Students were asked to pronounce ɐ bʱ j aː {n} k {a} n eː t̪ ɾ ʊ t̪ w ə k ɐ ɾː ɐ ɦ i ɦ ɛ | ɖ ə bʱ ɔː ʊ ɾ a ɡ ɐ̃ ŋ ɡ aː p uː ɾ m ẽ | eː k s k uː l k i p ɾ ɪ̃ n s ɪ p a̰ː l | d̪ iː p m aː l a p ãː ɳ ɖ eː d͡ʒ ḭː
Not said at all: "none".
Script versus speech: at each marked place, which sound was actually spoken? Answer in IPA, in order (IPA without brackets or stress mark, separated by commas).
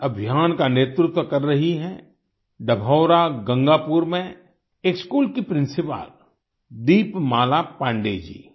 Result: n, a